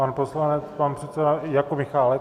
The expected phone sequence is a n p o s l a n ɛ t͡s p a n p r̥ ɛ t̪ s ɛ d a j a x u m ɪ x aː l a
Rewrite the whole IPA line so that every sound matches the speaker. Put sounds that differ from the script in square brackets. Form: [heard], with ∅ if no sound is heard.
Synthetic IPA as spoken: a n p o s l a n ɛ t͡s p a n p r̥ ɛ t̪ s ɛ d a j a [k] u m ɪ x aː l [ɛ]